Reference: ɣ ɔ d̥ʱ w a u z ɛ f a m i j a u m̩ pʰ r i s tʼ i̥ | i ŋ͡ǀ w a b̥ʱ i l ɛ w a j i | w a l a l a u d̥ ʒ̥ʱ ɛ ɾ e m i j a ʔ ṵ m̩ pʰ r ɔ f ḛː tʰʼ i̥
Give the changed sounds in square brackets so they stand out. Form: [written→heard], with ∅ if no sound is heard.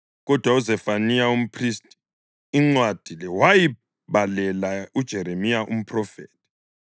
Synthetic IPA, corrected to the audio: ɣ ɔ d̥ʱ w a u z ɛ f a [m→n] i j a u m̩ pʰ r i s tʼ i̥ | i ŋ͡ǀ w a [b̥ʱ→d̥ʱ] i l ɛ w a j i | [w→β] a l [a→ɛ] l a u d̥ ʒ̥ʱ ɛ ɾ e m i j a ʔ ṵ m̩ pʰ r ɔ f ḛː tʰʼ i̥